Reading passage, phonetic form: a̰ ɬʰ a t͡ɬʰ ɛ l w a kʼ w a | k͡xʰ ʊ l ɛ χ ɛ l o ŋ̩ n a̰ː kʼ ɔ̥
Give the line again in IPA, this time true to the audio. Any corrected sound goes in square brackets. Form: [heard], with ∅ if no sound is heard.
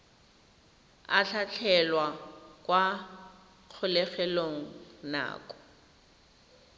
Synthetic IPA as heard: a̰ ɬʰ a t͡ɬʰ ɛ l w a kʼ w a | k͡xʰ ʊ l ɛ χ ɛ l o ŋ̩ n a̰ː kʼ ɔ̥

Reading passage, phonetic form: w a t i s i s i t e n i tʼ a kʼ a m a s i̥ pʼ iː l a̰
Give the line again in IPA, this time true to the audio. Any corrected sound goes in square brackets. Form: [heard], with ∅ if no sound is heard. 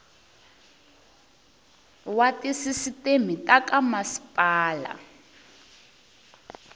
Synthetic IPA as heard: w a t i s i s i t e [m] i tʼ a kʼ a m a s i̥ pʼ [aː] l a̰

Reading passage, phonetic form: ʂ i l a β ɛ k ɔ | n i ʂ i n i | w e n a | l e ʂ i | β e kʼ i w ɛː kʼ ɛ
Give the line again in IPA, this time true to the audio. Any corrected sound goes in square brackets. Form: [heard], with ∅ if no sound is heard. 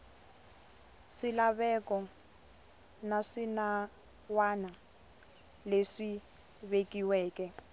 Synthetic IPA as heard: ʂ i l a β ɛ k ɔ | n [a] ʂ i n [a] | w [a] n a | l e ʂ i | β e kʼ i w ɛː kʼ ɛ

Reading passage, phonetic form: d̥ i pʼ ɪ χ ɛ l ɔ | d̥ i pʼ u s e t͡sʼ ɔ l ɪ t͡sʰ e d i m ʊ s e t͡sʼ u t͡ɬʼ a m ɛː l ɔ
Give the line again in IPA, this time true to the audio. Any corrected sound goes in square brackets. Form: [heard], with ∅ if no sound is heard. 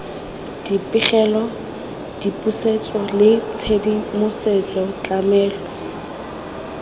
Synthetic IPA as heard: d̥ i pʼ ɪ χ ɛ l ɔ | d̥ i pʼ u s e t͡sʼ ɔ l ɪ t͡sʰ e d i m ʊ s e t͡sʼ [ɔ] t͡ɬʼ a m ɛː l ɔ

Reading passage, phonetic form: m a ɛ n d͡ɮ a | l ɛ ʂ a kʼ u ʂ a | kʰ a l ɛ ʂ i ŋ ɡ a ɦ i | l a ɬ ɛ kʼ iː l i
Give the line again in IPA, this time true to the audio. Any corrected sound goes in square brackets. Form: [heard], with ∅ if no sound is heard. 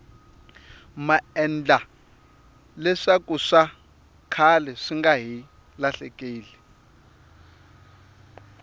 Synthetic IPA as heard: m a ɛ n d͡ɮ a | l ɛ ʂ a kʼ u ʂ a | kʰ a l ɛ ʂ i ŋ ɡ a ɦ i | l a ɬ ɛ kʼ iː l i

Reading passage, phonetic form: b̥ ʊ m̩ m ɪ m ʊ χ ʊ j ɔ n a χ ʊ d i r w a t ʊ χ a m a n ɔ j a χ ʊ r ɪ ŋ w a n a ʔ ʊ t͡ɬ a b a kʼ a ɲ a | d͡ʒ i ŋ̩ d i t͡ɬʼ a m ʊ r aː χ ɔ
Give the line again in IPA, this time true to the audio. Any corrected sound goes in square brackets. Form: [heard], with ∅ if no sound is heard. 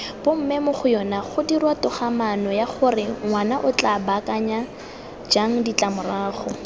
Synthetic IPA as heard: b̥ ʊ m̩ m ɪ m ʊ χ ʊ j ɔ n a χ ʊ d i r w a t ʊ χ a m a n ɔ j a χ ʊ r ɪ ŋ w a n a ʔ ʊ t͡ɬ a b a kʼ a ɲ a | d͡ʒ [a] ŋ̩ d i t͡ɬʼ a m ʊ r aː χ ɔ

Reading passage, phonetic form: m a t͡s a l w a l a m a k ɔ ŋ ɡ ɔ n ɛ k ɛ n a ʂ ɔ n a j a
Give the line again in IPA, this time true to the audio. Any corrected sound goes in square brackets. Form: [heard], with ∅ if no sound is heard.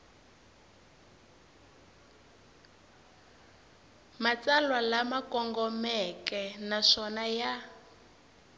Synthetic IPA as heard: m a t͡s a l w a l a m a k ɔ ŋ ɡ ɔ [m] ɛ k ɛ n a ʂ ɔ n a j a

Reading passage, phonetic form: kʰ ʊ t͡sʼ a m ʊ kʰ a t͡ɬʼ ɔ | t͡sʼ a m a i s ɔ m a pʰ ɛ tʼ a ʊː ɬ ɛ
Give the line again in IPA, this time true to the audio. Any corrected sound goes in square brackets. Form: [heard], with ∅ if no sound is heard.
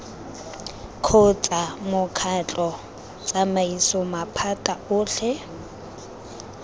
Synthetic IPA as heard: kʰ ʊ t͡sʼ a m ʊ kʰ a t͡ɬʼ ɔ | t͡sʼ a m a i s ɔ m a pʰ [a] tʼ a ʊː ɬ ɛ

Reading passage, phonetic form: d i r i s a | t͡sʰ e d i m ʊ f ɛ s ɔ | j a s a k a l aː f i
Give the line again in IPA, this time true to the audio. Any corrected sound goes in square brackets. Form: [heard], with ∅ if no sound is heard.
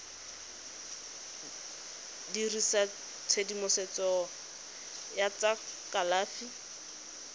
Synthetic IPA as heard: d i r i s a | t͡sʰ e d i m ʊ [s] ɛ [t͡s] ɔ | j a [t͡s] a k a l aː f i

